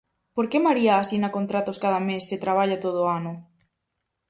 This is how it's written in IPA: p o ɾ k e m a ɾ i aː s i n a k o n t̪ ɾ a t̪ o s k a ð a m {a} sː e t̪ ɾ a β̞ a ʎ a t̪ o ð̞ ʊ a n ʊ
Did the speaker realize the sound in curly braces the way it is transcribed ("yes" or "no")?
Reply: no